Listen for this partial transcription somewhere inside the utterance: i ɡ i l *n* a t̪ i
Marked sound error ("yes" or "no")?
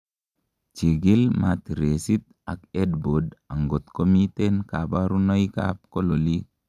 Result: yes